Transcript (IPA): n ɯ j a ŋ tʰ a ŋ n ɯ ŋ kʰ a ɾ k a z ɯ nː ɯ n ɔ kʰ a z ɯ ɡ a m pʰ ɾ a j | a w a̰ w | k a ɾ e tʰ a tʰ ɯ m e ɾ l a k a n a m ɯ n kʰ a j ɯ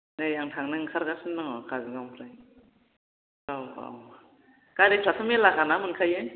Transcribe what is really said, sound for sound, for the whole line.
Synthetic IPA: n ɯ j a ŋ tʰ a ŋ n ɯ ŋ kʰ a ɾ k a s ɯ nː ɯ ŋ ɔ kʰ a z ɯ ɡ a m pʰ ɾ a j | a w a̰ w | k a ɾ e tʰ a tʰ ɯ m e l a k a n a m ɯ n kʰ a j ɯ